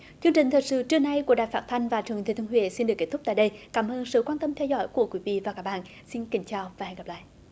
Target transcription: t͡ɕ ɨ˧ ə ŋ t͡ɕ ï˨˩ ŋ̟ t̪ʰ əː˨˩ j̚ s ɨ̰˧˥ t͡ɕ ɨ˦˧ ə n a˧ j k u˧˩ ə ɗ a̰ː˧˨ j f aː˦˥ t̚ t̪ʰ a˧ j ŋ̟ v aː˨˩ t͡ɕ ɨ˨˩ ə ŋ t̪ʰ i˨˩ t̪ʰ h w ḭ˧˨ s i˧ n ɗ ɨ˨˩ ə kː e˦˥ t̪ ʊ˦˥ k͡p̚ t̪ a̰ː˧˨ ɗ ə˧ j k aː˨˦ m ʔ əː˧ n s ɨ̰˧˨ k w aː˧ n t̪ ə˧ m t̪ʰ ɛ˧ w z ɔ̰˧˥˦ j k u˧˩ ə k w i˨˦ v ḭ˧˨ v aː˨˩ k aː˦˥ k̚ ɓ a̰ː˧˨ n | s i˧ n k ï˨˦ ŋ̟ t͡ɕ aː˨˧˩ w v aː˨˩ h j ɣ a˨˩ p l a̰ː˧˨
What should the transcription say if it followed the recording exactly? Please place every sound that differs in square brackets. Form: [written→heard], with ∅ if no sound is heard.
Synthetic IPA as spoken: t͡ɕ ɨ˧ ə ŋ t͡ɕ ï˨˩ ŋ̟ t̪ʰ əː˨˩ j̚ s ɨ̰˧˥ t͡ɕ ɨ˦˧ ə n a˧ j k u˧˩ ə ɗ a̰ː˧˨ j f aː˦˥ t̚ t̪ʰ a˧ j ŋ̟ v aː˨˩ t͡ɕ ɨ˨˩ ə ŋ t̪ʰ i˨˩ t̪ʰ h w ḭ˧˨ s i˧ n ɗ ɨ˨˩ ə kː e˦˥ t̪ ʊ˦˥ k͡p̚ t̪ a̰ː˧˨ ɗ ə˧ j k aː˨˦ m ʔ əː˧ n s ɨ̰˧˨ k w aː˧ n t̪ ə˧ m t̪ʰ ɛ˧ w z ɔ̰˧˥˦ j k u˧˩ ə k w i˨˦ v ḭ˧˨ v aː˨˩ k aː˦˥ k̚ ɓ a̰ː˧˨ n | s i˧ n k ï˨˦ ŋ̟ t͡ɕ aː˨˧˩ w v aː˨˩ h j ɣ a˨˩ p l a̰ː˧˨